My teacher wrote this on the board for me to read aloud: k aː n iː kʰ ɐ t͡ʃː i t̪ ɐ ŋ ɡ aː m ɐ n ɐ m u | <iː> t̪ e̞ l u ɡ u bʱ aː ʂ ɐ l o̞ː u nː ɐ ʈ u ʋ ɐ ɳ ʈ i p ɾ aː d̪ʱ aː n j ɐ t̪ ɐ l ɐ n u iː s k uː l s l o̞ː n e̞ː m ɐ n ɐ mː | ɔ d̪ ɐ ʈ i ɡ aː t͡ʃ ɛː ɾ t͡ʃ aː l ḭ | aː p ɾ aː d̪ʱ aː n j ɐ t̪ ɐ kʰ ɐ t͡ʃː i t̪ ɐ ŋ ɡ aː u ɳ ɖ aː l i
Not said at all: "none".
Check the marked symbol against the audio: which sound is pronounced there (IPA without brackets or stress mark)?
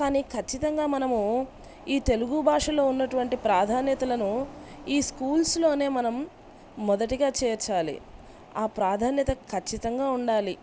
iː